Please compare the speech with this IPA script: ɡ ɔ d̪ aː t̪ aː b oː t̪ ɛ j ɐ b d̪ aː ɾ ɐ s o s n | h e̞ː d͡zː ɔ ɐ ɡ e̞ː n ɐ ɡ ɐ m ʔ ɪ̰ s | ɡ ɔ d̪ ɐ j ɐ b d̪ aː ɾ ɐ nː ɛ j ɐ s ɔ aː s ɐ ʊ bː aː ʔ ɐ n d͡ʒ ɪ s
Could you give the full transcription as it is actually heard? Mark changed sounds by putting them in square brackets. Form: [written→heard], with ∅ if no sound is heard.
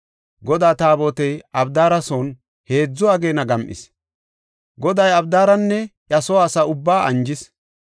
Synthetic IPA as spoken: ɡ ɔ d̪ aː t̪ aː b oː t̪ ɛ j ɐ b d̪ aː ɾ ɐ s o [s→∅] n | h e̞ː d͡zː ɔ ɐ ɡ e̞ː n ɐ ɡ ɐ m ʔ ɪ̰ s | ɡ ɔ d̪ ɐ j ɐ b d̪ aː ɾ ɐ nː ɛ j ɐ s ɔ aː s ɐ ʊ bː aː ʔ ɐ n d͡ʒ ɪ s

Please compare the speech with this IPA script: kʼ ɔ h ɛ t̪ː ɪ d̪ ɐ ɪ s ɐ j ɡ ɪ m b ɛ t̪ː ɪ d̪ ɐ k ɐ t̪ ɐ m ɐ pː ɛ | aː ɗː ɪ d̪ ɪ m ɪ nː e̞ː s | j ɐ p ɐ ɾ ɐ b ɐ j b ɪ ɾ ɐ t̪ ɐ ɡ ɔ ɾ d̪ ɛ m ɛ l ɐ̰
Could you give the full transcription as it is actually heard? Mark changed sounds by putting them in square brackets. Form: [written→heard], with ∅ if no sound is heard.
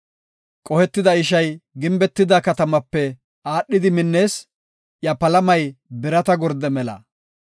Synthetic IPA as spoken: kʼ ɔ h ɛ t̪ː ɪ d̪ ɐ ɪ [s→ʃ] ɐ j ɡ ɪ m b ɛ t̪ː ɪ d̪ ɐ k ɐ t̪ ɐ m ɐ pː ɛ | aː ɗː ɪ d̪ ɪ m ɪ nː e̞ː s | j ɐ p ɐ [ɾ→l] ɐ [b→m] ɐ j b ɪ ɾ ɐ t̪ ɐ ɡ ɔ ɾ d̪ ɛ m ɛ l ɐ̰

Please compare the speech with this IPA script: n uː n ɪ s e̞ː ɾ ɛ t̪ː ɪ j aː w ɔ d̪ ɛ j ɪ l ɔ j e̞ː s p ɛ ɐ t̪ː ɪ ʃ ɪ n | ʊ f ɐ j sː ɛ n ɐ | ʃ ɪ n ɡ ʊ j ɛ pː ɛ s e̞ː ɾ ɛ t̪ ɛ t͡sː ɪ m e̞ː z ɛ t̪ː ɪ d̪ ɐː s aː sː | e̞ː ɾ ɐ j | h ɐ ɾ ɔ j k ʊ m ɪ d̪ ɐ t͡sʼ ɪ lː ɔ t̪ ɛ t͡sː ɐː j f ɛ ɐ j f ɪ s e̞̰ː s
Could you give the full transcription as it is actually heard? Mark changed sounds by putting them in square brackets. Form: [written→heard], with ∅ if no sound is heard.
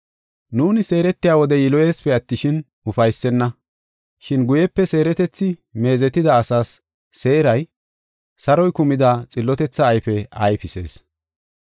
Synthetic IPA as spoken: n uː n ɪ s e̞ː ɾ ɛ t̪ː ɪ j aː w ɔ d̪ ɛ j ɪ l ɔ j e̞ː s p ɛ ɐ t̪ː ɪ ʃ ɪ n | ʊ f ɐ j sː ɛ [n→nː] ɐ | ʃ ɪ n ɡ ʊ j ɛ pː ɛ s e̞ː ɾ ɛ t̪ ɛ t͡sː ɪ m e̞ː z ɛ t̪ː ɪ d̪ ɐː s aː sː | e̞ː ɾ ɐ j | [h→s] ɐ ɾ ɔ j k ʊ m ɪ d̪ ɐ t͡sʼ ɪ lː ɔ t̪ ɛ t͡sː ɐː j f ɛ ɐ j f ɪ s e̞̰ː s

